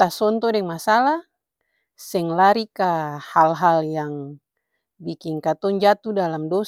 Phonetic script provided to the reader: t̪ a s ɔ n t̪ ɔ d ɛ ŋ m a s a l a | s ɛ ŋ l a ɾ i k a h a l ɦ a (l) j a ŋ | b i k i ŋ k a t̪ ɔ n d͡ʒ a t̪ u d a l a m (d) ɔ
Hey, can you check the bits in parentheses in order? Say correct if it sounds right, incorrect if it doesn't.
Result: correct, correct

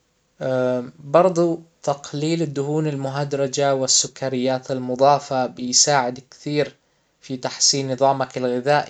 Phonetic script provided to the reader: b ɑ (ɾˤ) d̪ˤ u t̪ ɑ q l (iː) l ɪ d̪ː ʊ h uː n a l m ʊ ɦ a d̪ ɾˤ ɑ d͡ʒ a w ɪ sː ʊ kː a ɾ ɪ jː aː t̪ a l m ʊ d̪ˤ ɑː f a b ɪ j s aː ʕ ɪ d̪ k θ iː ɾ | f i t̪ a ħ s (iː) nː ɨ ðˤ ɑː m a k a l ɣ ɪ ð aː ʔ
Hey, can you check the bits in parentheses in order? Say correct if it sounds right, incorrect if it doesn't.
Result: correct, correct, correct

